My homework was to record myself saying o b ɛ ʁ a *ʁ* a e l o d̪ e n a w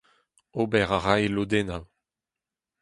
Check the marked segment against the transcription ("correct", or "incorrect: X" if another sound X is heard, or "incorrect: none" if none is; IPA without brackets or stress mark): correct